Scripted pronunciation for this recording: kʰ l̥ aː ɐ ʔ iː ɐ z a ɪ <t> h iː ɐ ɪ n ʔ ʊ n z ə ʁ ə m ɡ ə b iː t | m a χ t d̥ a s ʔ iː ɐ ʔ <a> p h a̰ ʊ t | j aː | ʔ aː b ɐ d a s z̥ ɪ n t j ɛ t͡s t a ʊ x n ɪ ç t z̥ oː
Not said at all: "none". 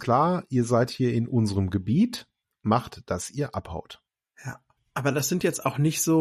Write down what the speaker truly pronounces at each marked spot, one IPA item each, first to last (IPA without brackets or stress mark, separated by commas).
t, a